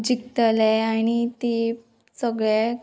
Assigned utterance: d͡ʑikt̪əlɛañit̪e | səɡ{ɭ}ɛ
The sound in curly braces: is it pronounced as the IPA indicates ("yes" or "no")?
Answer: yes